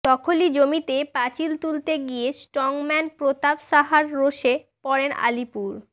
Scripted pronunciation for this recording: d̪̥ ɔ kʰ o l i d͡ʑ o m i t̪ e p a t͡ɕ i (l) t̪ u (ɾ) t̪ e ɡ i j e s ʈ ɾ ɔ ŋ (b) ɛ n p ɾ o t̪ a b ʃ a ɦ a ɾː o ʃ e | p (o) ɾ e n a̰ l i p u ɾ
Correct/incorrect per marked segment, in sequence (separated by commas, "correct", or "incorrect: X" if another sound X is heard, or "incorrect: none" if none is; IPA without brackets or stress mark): correct, incorrect: l, incorrect: m, incorrect: ɔ